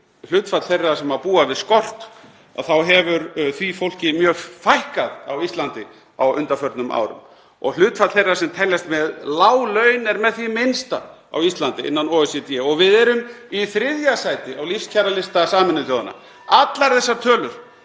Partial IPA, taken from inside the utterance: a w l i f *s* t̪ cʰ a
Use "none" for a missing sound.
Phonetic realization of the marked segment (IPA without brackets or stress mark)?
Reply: s